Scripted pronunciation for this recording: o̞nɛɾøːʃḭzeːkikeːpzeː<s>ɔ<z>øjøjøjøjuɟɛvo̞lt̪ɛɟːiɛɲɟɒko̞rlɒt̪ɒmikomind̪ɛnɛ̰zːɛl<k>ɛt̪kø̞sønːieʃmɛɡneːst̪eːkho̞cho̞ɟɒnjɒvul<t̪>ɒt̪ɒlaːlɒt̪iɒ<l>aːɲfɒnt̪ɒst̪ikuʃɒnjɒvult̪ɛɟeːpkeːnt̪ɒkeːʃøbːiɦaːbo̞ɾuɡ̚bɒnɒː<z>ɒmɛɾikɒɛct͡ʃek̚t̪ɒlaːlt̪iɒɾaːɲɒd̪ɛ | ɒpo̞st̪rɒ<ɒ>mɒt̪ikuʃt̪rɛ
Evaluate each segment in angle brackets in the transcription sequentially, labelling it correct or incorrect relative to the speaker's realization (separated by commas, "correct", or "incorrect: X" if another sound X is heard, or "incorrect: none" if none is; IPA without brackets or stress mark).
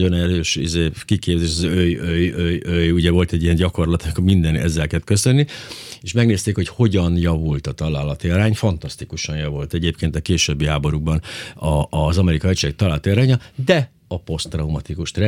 incorrect: ʃ, correct, correct, correct, incorrect: ɾ, correct, incorrect: u